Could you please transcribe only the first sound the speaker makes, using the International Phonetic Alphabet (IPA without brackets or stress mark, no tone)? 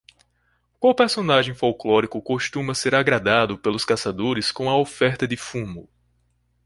k